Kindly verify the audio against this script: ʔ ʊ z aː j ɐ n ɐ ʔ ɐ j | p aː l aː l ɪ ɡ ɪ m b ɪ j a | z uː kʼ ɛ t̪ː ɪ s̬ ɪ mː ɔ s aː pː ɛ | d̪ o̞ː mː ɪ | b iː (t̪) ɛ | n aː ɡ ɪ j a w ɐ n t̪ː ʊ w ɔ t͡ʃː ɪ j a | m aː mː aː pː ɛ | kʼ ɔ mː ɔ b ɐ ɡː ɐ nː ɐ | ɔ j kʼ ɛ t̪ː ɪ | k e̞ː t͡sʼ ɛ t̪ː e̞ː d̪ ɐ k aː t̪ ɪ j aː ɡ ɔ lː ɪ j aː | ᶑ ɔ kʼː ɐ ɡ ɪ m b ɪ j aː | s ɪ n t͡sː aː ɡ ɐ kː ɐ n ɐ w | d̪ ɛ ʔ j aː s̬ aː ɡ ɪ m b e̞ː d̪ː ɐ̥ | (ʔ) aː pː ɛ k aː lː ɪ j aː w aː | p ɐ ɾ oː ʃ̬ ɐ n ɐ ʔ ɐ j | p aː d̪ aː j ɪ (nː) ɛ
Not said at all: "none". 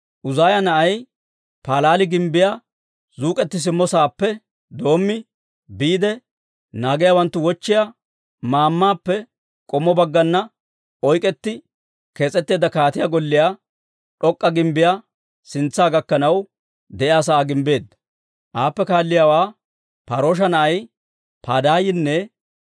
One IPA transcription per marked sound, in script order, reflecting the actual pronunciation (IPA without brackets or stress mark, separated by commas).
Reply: d̪, ʔ, nː